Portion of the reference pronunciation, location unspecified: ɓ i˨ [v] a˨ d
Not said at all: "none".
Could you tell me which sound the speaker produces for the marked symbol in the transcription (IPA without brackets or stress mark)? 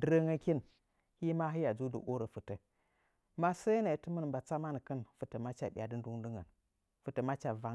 none